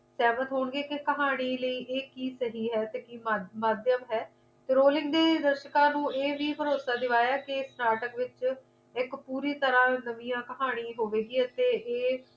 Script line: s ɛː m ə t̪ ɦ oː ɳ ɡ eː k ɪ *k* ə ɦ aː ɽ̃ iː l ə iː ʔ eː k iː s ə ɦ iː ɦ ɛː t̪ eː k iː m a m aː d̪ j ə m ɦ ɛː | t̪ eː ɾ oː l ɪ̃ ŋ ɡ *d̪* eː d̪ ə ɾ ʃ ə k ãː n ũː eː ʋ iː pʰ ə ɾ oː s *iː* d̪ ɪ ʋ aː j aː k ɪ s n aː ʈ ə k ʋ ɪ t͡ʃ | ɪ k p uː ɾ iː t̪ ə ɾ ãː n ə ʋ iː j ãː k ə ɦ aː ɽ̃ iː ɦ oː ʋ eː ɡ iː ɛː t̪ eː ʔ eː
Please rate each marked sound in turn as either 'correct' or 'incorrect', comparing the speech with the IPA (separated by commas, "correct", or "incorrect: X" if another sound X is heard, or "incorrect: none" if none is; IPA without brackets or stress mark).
correct, correct, incorrect: aː